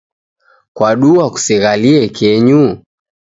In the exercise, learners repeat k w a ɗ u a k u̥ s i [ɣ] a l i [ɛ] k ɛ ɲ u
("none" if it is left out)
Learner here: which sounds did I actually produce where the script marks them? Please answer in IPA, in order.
ɣ, ɛ

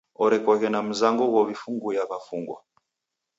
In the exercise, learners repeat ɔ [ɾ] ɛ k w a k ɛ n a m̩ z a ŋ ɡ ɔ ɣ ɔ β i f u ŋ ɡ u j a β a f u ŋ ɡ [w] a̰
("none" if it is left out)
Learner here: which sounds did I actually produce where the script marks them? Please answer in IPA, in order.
ɾ, w

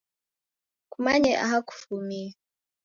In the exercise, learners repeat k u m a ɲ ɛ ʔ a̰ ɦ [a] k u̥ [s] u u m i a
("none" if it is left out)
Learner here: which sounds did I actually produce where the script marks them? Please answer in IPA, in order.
a, f

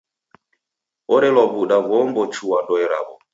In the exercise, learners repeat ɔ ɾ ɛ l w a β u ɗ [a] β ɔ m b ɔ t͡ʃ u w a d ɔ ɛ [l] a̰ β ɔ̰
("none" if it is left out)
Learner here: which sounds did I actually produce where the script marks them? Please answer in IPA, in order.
a, ɾ

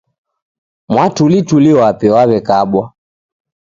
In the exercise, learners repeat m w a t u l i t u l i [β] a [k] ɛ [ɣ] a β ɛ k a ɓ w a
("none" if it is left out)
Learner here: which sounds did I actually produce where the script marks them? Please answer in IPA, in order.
w, p, w

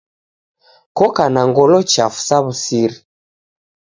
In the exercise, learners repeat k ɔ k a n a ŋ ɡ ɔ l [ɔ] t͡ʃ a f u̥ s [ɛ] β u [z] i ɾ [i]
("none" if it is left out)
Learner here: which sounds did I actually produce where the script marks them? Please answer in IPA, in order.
ɔ, a, s, i

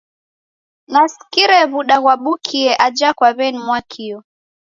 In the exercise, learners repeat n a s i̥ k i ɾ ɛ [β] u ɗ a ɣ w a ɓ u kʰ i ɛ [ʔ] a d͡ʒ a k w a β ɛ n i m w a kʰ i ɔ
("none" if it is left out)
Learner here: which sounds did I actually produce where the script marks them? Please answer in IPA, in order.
β, ʔ

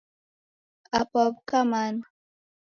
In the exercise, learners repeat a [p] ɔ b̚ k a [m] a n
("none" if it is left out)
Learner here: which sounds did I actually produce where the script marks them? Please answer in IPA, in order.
p, m

